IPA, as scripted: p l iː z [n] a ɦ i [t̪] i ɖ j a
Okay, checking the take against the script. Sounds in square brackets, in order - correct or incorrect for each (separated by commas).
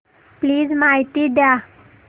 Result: incorrect, correct